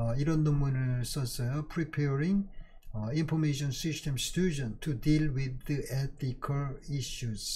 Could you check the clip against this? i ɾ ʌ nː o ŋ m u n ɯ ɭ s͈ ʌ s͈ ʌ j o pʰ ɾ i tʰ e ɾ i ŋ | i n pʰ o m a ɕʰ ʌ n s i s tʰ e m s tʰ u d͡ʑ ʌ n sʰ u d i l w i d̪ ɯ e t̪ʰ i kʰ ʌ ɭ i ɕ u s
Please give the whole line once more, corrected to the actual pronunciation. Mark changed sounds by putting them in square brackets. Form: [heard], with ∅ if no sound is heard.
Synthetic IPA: i ɾ ʌ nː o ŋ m u n ɯ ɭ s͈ ʌ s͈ ʌ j o pʰ ɾ i [pʰ] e ɾ i ŋ | i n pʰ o m [e] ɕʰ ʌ n s i s tʰ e m s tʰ u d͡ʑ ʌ n [tʰ] u d i l w i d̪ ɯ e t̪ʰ i kʰ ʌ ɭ i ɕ u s